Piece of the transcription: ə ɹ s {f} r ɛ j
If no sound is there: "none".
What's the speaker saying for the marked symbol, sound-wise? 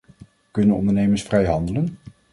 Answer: f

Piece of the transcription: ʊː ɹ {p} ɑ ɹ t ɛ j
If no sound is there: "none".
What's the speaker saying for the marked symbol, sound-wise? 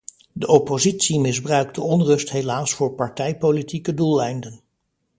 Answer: p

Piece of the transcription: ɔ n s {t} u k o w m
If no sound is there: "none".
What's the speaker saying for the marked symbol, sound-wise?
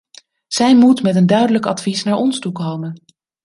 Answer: t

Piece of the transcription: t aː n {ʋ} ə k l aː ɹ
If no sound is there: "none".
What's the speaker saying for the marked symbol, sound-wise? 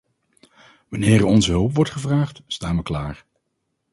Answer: ʋ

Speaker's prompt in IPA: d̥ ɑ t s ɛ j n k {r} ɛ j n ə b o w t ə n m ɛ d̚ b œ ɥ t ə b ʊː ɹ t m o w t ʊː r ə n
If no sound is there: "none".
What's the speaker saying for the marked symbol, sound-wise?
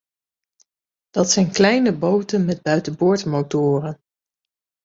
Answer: l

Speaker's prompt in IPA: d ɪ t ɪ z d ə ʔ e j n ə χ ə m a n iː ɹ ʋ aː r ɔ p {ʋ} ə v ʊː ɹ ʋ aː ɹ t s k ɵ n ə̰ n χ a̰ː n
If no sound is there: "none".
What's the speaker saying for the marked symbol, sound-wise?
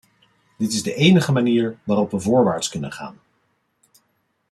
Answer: ʋ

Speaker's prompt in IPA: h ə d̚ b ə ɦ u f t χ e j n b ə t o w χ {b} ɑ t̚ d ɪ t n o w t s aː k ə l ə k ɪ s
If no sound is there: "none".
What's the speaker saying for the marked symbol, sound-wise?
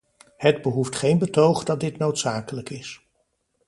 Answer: d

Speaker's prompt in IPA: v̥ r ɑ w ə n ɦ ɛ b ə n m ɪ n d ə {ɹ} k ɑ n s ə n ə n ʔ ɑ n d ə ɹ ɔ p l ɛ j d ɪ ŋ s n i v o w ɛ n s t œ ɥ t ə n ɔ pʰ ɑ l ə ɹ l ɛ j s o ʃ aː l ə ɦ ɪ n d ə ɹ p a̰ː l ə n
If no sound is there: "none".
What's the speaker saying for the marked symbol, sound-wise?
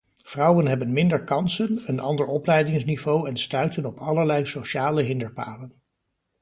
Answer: ɹ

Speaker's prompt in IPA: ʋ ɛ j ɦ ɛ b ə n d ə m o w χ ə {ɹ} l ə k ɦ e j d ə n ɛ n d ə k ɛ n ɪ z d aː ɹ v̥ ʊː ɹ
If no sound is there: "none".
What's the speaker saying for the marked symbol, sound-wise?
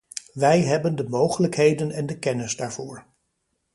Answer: none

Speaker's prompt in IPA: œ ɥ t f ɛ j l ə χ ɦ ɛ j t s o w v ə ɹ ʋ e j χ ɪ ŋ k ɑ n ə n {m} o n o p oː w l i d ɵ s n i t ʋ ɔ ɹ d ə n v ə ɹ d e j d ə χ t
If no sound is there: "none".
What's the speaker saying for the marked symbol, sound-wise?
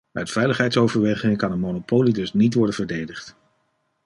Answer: m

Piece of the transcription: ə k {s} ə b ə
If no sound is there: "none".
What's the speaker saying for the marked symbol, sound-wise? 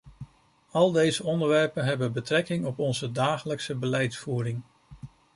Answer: s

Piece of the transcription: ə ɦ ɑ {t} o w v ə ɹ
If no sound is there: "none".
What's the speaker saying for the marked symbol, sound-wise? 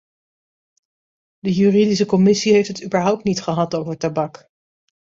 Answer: t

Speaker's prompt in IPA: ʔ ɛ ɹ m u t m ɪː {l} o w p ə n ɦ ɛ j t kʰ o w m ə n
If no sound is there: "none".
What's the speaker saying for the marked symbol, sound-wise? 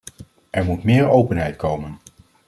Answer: ɹ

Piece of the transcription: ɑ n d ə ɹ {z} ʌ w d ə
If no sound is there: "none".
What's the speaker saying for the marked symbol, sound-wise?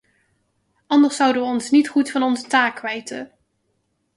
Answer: s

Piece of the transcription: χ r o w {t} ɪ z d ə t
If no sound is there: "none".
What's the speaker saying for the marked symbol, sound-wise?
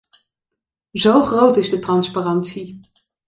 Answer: t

